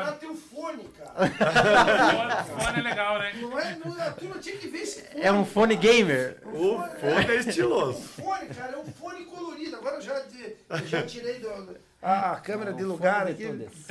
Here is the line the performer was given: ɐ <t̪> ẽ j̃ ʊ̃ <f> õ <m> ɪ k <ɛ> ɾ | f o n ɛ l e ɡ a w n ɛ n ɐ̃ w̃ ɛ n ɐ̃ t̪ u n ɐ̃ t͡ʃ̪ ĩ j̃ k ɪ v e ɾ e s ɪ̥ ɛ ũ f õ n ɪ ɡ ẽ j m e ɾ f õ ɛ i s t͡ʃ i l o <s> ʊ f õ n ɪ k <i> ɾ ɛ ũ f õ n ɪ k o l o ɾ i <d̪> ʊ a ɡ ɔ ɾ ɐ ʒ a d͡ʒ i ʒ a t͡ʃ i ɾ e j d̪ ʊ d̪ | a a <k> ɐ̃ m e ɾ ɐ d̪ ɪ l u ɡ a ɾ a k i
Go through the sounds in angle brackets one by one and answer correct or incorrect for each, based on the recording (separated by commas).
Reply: correct, correct, incorrect, incorrect, incorrect, incorrect, correct, correct